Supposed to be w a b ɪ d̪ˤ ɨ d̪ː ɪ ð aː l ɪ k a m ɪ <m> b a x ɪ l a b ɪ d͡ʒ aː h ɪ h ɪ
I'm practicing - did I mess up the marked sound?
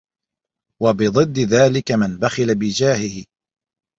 yes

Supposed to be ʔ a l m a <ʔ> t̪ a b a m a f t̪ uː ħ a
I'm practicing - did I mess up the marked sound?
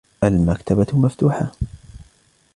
yes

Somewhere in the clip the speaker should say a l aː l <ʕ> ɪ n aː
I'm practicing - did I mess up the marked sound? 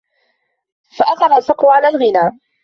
yes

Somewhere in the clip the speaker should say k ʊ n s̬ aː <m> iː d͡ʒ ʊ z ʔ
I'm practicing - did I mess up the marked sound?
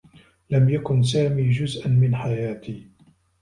no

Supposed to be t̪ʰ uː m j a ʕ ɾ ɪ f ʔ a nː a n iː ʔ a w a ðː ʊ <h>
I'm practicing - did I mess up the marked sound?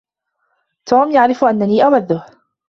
no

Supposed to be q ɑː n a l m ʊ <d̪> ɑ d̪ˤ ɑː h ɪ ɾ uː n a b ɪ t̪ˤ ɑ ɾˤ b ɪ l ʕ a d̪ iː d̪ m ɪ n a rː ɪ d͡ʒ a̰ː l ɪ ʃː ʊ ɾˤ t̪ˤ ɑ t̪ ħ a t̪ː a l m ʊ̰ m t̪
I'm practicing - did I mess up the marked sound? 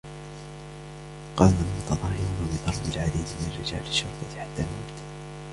yes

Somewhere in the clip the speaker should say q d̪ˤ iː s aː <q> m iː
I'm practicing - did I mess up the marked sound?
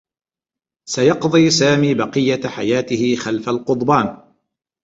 yes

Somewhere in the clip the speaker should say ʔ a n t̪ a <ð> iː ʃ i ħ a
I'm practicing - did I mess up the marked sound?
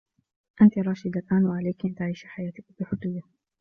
yes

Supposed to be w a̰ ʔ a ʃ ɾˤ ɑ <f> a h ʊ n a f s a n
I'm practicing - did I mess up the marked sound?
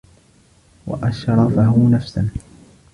no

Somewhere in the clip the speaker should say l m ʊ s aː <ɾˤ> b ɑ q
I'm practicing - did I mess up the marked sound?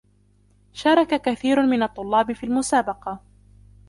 yes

